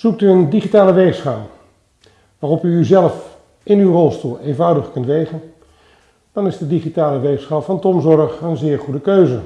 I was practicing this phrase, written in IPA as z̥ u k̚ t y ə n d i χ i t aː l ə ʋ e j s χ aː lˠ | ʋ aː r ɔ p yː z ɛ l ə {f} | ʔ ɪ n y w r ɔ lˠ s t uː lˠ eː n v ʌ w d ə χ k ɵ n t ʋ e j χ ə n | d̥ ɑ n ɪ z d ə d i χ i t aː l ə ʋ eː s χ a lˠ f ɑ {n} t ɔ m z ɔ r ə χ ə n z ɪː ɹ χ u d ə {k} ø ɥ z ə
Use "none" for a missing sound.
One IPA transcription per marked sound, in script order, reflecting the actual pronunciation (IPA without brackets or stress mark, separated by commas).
f, n, k